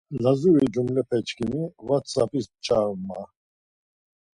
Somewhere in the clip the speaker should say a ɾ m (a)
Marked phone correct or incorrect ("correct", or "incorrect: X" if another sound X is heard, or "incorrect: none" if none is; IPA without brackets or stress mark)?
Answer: correct